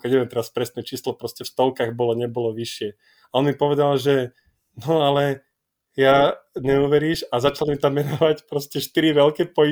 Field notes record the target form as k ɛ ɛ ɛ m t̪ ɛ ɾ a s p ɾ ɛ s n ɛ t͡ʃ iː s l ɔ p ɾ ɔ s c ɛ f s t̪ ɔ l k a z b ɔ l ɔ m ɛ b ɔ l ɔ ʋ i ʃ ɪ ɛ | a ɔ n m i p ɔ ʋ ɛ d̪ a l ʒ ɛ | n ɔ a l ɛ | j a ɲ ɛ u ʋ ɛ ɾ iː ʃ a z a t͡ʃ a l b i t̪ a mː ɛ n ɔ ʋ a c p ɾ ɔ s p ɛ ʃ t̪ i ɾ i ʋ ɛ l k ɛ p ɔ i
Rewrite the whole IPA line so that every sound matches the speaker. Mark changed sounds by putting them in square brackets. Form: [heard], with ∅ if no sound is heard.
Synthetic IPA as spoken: k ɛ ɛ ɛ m t̪ ɛ ɾ a s p ɾ ɛ s n ɛ t͡ʃ iː s l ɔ p ɾ ɔ s c ɛ f s t̪ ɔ l k a [ɣ] b ɔ l ɔ [ɲ] ɛ b ɔ l ɔ ʋ i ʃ ɪ ɛ | a ɔ n m i p ɔ ʋ ɛ d̪ a l ʒ ɛ | n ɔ a l ɛ | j a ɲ ɛ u ʋ ɛ ɾ iː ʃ a z a t͡ʃ a l [m] i t̪ a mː ɛ n ɔ ʋ a c p ɾ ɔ s [c] ɛ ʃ t̪ i ɾ i ʋ ɛ l k ɛ p ɔ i